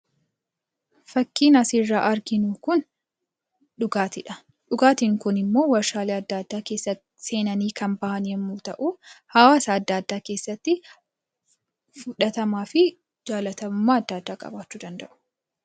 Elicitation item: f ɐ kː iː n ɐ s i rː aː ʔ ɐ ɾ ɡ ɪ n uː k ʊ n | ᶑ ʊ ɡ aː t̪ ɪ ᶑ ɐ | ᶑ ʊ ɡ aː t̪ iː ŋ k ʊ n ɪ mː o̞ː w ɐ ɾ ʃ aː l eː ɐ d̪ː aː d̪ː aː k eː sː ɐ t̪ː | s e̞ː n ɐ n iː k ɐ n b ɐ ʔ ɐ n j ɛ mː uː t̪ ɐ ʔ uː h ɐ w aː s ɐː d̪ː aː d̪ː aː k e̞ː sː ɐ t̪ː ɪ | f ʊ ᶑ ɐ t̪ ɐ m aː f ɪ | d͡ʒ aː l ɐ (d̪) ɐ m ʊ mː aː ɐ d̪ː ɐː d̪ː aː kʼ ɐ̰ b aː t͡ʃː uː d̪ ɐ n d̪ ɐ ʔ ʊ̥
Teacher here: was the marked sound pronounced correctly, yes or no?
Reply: no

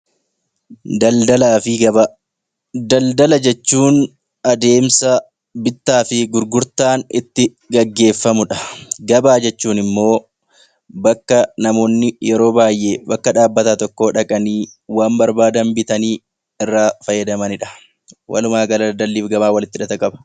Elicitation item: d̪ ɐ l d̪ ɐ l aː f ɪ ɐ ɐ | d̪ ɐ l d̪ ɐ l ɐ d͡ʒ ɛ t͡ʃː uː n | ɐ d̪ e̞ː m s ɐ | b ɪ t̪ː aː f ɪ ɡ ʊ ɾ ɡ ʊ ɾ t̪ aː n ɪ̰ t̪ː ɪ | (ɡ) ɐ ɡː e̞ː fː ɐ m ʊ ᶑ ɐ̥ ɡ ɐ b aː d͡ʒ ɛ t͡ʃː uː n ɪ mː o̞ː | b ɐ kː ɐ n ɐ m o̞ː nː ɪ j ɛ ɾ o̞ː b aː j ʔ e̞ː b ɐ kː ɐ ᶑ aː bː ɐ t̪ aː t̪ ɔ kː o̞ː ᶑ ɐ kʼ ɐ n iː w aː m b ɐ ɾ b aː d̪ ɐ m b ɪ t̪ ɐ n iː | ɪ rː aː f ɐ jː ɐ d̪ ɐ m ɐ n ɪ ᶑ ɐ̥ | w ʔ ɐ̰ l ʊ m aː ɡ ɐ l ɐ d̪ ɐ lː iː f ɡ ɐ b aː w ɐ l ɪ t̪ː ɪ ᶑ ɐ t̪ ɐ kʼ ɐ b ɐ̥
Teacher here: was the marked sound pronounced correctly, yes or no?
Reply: yes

